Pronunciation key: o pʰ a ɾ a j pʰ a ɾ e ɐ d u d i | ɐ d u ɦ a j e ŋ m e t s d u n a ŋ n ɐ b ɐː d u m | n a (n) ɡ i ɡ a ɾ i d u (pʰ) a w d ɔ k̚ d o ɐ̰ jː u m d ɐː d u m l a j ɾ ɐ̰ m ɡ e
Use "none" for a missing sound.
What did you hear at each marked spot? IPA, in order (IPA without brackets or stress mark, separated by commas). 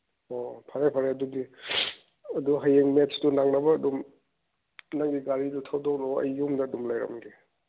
ŋ, tʰ